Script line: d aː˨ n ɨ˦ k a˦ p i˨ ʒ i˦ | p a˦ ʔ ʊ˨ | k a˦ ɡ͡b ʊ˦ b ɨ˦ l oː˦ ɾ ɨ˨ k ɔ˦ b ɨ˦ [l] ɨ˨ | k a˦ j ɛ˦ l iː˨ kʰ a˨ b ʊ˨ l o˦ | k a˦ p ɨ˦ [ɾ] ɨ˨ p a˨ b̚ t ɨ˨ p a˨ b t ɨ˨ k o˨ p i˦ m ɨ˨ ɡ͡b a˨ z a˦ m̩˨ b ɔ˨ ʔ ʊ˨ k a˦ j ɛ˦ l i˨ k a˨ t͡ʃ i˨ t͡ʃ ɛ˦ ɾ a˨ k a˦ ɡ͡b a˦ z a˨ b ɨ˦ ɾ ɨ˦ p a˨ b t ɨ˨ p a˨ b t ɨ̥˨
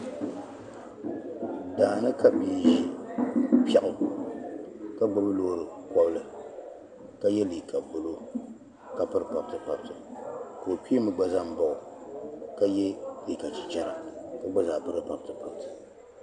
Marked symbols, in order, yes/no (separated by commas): yes, yes